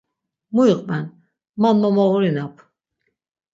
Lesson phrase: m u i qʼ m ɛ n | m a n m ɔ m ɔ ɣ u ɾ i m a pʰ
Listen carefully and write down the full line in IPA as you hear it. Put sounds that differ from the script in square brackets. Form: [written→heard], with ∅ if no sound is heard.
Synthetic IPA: m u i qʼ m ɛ n | m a n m ɔ m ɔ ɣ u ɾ i [m→n] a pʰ